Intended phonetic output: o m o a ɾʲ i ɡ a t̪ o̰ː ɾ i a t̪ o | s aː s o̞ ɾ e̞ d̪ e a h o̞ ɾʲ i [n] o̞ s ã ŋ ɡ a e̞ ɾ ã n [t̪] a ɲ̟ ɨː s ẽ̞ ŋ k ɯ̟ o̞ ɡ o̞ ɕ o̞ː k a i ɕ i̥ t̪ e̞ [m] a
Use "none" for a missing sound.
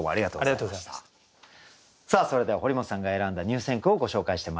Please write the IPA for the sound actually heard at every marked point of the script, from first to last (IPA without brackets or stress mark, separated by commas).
m, d̪, m